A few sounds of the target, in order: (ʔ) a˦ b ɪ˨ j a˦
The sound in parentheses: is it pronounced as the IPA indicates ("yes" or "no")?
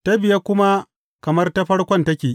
no